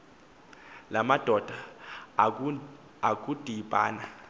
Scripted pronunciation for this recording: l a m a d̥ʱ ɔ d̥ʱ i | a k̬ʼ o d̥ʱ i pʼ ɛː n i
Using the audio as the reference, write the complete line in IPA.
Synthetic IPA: l a m a d̥ʱ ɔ d̥ʱ a | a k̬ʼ u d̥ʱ i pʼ aː n a

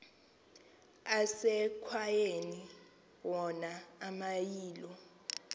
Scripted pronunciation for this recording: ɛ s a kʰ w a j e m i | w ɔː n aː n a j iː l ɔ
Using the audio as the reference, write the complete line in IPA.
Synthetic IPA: a s ɛ kʰ w a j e n i | w ɔ n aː m a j iː l ɔ

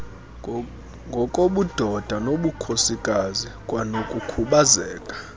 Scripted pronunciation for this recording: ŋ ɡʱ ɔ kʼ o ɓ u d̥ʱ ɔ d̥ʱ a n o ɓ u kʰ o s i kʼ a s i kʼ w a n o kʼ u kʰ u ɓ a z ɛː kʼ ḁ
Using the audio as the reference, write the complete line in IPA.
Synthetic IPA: ŋ ɡʱ ɔ kʼ o ɓ u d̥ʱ ɔ d̥ʱ a n o ɓ u kʰ o s i kʼ a z i kʼ w a n o kʼ u kʰ u ɓ a z ɛː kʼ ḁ

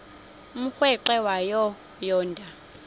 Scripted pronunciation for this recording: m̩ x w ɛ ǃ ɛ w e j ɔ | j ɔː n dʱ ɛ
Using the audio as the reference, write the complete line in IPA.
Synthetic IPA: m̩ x w ɛ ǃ ɛ w a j ɔ | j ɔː n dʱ a

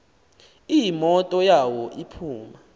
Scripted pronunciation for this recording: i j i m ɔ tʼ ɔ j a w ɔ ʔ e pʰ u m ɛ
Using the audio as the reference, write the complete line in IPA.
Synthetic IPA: i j i m ɔ tʼ ɔ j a w ɔ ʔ i pʰ uː m a

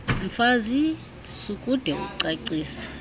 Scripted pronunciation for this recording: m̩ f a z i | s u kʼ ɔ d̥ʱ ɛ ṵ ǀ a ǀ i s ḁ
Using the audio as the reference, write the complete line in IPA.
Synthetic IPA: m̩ f a z i | s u kʼ u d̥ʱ ɛ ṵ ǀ a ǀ iː s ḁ

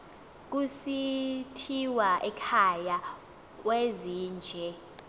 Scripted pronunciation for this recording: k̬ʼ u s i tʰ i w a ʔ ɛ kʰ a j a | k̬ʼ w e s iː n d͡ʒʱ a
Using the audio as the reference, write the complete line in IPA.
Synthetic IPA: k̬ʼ u s i tʰ i w a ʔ ɛ kʰ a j a | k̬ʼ w e z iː n d͡ʒʱ ɛ

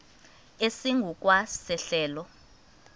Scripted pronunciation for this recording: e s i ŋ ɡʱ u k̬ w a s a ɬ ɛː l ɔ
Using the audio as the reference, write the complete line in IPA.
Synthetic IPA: e s i ŋ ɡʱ u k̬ w a s ɛ ɬ ɛː l ɔ

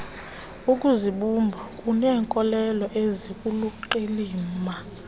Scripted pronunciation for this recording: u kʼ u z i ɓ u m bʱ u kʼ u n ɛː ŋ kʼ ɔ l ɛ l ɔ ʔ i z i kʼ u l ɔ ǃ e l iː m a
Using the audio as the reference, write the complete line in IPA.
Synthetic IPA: u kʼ u z i ɓ u m bʱ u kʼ u n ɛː ŋ kʼ ɔ l ɛ l ɔ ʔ e z i kʼ u l u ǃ e l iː m a

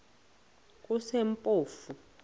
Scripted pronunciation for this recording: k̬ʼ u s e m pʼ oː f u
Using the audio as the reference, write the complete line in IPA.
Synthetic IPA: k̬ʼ u s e m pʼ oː f u

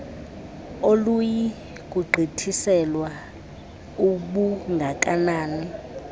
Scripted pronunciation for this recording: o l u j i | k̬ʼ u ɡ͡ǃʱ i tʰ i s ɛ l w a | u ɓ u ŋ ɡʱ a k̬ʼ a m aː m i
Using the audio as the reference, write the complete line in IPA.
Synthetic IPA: o l u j i | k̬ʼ u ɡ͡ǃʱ i tʰ i s ɛ l w a | u ɓ u ŋ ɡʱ a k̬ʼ a n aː n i

